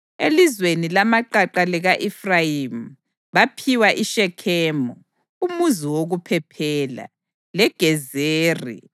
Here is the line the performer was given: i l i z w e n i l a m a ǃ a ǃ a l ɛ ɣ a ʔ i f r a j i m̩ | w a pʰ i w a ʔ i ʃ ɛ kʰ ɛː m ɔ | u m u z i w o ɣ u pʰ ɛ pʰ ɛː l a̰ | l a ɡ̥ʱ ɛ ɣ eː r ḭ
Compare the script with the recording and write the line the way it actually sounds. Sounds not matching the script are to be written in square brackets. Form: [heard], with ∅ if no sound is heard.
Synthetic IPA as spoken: [e] l i z w e n i l a m a ǃ a ǃ a l ɛ ɣ a ʔ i f r a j i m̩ | [β] a pʰ i w a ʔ i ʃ ɛ kʰ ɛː m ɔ | u m u z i w o ɣ u pʰ ɛ pʰ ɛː l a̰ | l [ɛ] ɡ̥ʱ ɛ [z] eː r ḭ

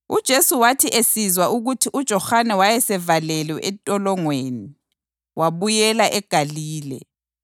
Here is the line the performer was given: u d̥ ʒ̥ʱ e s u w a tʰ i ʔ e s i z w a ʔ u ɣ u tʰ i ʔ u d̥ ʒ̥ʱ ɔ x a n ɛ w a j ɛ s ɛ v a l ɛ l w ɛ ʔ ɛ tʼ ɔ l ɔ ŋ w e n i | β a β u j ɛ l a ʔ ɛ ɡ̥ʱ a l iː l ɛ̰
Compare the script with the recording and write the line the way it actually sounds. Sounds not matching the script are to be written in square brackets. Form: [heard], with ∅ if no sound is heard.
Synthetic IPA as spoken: u d̥ ʒ̥ʱ e s u w a tʰ i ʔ e s i z w a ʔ u ɣ u tʰ i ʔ u d̥ ʒ̥ʱ ɔ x a n ɛ w a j ɛ s ɛ v a l ɛ l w ɛ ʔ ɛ tʼ ɔ l ɔ ŋ w e n i | [w] a β u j ɛ l a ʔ ɛ ɡ̥ʱ a l iː l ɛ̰

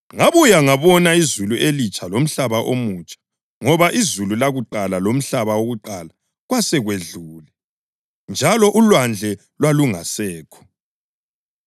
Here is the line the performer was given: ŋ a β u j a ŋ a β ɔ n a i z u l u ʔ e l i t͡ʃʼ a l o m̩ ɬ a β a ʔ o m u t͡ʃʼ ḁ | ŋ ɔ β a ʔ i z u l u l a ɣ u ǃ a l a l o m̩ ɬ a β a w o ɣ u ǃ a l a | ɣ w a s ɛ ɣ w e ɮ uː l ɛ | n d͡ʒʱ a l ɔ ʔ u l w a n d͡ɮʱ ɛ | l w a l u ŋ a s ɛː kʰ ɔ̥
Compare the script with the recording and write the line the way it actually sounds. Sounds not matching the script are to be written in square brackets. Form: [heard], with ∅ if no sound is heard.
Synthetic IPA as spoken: ŋ a β u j a ŋ a β ɔ n a i z u l u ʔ e l i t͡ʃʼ a l o m̩ ɬ a β a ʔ o m u t͡ʃʼ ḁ | ŋ ɔ β a ʔ i z u l u l a ɣ u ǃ a l a l o m̩ ɬ a β a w o ɣ u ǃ a l a | ɣ w a s ɛ ɣ w e ɮ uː l ɛ | n d͡ʒʱ a l ɔ ʔ u l w a n d͡ɮʱ ɛ | l w a l u ŋ a s ɛː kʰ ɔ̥

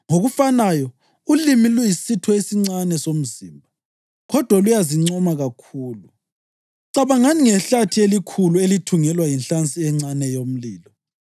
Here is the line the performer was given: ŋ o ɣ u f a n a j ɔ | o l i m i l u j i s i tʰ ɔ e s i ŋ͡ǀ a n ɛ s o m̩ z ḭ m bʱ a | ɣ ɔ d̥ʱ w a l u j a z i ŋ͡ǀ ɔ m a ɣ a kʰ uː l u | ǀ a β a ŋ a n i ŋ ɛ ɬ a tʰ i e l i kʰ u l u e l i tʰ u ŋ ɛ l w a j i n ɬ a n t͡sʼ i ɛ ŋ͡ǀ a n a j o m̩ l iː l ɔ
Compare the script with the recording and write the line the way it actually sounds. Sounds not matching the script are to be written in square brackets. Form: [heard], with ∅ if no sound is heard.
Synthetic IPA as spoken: ŋ o ɣ u f a n a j ɔ | [u] l i m i l u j i s i tʰ ɔ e s i ŋ͡ǀ a n ɛ s o m̩ z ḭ m bʱ a | ɣ ɔ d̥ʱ w a l u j a z i ŋ͡ǀ ɔ m a ɣ a kʰ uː l u | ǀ a β a ŋ a n i ŋ ɛ ɬ a tʰ i e l i kʰ u l u e l i tʰ u ŋ ɛ l w a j i n ɬ a n t͡sʼ i ɛ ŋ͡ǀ a n [ɛ] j o m̩ l iː l ɔ

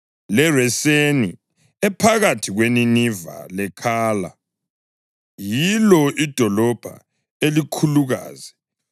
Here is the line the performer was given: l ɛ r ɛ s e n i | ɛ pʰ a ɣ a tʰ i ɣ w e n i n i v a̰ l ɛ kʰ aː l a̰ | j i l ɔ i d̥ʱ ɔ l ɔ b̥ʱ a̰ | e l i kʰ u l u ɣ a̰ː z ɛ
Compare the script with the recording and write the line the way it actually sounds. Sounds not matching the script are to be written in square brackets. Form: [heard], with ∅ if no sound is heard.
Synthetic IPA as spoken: l ɛ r ɛ s e n i | ɛ pʰ a ɣ a tʰ i ɣ w e n i n i v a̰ l ɛ kʰ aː l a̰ | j i l ɔ i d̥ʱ ɔ l ɔ b̥ʱ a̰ | e l i kʰ u l u ɣ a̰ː z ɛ

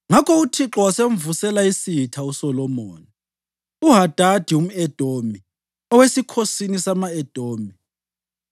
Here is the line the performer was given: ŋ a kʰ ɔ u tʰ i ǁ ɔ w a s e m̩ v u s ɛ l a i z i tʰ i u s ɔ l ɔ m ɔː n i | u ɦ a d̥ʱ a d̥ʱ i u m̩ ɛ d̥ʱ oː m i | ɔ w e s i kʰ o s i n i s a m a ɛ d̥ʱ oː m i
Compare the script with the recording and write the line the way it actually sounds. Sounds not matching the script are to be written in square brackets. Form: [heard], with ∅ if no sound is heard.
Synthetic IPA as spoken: ŋ a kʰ ɔ u tʰ i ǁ ɔ w a s e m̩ v u s ɛ l a i [s] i tʰ [a] u s ɔ l ɔ m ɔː n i | u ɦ a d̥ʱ a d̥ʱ i u m̩ ɛ d̥ʱ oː m i | ɔ w e s i kʰ o s i n i s a m a ɛ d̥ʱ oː m i

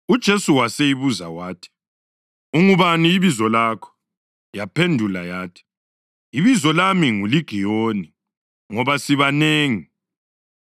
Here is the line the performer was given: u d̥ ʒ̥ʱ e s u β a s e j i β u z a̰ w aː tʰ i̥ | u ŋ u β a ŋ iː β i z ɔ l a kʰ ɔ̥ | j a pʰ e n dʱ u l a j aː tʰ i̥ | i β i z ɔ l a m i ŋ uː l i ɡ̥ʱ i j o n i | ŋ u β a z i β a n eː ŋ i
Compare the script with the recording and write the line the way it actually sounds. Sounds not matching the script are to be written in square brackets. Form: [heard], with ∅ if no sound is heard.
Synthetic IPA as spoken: u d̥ ʒ̥ʱ e s u [w] a s e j i β u z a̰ w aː tʰ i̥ | u ŋ u β a [n] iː β i z ɔ l a kʰ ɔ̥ | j a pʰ e n dʱ u l a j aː tʰ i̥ | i β i z ɔ l a m i ŋ [u] l i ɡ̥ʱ i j o n i | ŋ [ɔ] β a [s] i β a n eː ŋ i

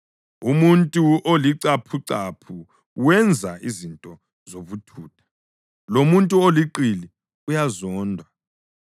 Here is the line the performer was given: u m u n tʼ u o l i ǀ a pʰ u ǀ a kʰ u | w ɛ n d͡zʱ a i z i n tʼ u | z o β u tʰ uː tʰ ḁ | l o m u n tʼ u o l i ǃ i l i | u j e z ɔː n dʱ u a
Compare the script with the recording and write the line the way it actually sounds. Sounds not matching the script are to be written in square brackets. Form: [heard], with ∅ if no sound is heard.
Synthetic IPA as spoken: u m u n tʼ u o l i ǀ a pʰ u ǀ a [pʰ] u | w ɛ n d͡zʱ a i z i n tʼ [ɔ] | z o β u tʰ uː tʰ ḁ | l o m u n tʼ u o l i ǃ i l i | u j [a] z ɔː n dʱ [w] a

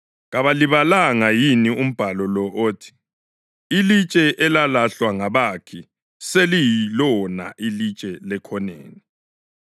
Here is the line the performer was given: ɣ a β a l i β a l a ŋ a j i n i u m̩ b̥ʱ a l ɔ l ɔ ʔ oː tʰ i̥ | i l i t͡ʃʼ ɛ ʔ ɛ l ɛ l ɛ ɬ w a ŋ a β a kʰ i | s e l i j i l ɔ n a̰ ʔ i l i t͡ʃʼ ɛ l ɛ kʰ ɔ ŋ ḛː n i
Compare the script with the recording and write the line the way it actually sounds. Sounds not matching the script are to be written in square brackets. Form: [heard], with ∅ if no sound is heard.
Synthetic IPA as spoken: ɣ a β a l i β a l a ŋ a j i n i u m̩ b̥ʱ a l ɔ l ɔ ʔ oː tʰ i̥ | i l i t͡ʃʼ ɛ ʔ ɛ l [a] l [a] ɬ w a ŋ a β a kʰ i | s e l i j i l ɔ n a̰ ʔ i l i t͡ʃʼ ɛ l ɛ kʰ ɔ [n] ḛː n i

